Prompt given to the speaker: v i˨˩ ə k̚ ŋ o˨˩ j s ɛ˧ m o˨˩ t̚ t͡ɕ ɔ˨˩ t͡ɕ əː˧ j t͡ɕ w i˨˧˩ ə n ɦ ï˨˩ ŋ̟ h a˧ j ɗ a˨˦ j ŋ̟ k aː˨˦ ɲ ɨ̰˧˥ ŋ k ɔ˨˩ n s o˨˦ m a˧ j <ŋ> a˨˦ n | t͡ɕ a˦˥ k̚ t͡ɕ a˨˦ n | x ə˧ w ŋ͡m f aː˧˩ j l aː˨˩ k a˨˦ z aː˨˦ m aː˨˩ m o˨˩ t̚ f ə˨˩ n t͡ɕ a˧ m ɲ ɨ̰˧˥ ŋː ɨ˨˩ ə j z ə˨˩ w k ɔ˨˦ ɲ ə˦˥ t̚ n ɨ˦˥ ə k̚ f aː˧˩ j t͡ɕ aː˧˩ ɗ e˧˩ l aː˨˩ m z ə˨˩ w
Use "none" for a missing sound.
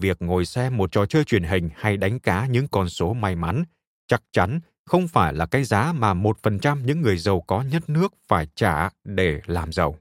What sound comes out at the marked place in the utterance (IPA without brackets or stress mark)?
m